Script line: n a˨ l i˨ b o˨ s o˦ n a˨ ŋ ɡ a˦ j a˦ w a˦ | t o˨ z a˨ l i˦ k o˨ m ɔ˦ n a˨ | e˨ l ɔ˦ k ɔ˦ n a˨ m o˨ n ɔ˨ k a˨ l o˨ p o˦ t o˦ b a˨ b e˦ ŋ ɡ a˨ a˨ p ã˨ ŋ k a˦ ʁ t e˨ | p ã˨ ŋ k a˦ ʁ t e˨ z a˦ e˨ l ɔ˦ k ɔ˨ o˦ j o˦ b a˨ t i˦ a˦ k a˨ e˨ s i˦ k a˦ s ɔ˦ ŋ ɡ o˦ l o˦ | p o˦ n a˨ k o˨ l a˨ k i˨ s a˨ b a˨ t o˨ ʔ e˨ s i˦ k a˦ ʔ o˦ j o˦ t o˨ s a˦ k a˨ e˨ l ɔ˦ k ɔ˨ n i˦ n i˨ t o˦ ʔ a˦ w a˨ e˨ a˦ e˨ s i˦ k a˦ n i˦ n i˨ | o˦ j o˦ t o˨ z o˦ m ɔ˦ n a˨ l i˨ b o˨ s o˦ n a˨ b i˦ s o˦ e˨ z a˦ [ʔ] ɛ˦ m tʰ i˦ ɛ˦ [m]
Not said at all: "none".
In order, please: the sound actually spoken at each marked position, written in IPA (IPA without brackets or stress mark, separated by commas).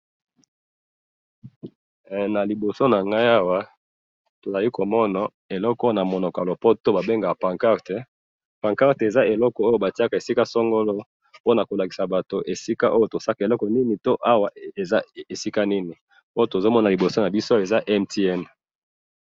ʔ, n